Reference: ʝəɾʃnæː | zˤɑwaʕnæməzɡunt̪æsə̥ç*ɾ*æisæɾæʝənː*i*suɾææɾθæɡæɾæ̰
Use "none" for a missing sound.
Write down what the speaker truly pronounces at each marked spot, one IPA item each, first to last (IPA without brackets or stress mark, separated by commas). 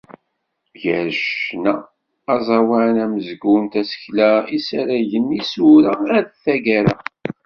l, i